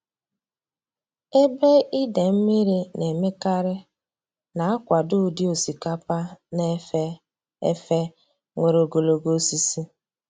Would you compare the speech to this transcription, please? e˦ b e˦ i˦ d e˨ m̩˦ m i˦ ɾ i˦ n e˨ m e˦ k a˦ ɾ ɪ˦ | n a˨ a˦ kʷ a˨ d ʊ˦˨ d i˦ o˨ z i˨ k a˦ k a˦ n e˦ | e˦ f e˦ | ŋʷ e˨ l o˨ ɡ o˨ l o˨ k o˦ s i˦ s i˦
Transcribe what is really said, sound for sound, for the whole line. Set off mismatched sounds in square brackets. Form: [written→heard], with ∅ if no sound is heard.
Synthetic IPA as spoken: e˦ b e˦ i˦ d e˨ m̩˦ m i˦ ɾ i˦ n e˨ m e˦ k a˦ ɾ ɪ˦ | n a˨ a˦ kʷ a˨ d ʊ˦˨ d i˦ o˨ [z→s] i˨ k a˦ [k→p] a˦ n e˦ | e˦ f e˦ | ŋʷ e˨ [l→ɾ] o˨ ɡ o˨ l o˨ [k→ɡ] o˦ s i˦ s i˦